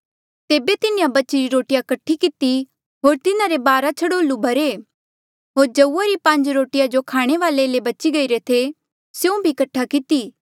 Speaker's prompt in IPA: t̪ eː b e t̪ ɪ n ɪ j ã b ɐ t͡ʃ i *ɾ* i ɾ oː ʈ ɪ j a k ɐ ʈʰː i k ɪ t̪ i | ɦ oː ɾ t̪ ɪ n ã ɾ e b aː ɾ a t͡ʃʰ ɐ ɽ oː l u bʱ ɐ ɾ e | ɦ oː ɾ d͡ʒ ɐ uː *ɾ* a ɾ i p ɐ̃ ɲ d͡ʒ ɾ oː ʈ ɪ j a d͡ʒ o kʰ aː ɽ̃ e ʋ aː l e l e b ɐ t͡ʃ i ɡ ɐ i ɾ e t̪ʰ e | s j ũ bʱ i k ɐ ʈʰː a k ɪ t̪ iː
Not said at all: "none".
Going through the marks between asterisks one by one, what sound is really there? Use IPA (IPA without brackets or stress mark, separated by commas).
ɾ, none